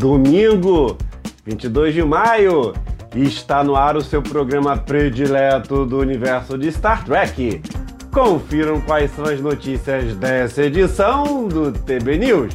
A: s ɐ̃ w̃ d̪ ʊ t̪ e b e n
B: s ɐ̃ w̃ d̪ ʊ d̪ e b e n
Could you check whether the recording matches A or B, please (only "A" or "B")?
A